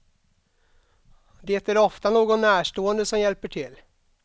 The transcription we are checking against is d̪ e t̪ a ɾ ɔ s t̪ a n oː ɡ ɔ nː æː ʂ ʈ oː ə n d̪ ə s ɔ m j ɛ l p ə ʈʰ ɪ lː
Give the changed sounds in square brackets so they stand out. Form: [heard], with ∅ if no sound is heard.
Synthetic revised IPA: d̪ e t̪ [æ] ɾ ɔ [f] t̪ a n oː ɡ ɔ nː æː ʂ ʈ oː ə n d̪ ə s ɔ m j ɛ l p ə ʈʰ ɪ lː